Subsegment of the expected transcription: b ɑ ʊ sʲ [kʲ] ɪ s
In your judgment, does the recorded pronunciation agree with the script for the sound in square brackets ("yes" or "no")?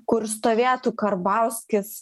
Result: yes